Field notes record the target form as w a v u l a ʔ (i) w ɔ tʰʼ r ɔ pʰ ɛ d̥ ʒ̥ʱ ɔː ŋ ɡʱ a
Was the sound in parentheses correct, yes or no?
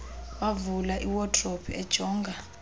yes